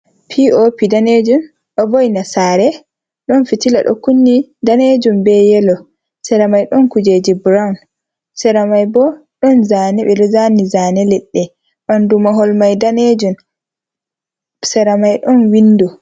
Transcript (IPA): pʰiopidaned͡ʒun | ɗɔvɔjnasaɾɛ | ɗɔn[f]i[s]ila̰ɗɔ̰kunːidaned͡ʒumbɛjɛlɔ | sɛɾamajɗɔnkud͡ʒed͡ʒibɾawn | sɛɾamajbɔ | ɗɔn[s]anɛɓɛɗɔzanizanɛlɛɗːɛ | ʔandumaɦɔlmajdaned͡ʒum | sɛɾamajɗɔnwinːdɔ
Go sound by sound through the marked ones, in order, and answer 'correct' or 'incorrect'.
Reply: correct, incorrect, incorrect

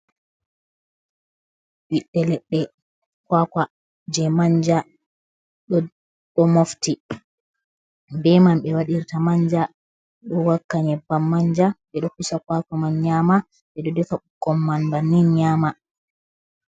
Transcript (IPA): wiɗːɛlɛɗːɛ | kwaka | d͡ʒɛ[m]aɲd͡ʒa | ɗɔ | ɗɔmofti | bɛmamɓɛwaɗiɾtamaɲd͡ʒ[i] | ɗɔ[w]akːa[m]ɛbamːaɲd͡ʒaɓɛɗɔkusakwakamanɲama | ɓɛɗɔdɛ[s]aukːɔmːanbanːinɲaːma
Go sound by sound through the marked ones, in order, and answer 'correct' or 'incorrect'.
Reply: correct, incorrect, correct, incorrect, incorrect

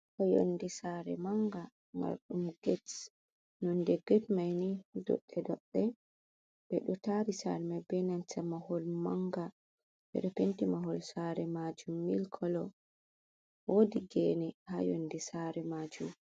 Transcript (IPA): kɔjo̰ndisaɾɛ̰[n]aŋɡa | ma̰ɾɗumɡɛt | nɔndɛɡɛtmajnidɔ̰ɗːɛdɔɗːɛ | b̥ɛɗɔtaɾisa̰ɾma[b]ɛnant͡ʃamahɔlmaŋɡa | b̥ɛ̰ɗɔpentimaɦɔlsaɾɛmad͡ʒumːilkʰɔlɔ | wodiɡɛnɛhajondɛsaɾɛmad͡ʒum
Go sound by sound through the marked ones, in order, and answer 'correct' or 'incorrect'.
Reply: incorrect, correct

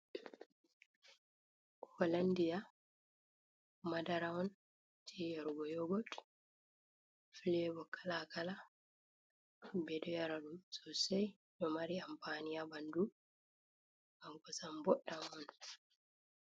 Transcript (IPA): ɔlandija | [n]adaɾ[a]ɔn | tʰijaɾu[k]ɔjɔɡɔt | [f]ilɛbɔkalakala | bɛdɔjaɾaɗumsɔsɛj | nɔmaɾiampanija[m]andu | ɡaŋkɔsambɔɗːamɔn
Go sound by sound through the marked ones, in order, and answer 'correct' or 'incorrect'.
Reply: incorrect, correct, incorrect, correct, incorrect

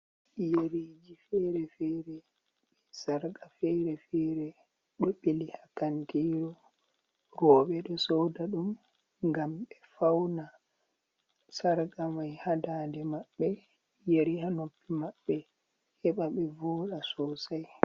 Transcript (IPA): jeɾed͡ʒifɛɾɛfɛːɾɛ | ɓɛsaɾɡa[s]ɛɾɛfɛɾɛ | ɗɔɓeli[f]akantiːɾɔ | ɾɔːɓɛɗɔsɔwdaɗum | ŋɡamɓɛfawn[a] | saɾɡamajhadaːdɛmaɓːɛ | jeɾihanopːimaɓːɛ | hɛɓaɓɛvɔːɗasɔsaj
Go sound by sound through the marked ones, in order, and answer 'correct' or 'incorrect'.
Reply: incorrect, incorrect, correct

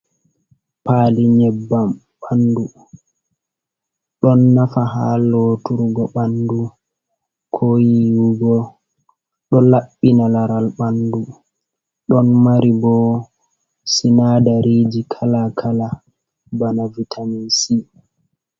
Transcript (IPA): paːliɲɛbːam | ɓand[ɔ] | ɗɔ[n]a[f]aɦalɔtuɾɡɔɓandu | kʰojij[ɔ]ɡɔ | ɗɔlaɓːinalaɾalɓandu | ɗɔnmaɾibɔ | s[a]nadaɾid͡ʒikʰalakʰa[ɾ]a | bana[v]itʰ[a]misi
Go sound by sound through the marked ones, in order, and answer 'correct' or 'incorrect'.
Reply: incorrect, incorrect, correct, incorrect, incorrect, incorrect, correct, correct

